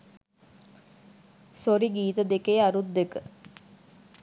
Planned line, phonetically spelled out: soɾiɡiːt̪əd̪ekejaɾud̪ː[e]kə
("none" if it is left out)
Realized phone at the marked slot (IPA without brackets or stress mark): e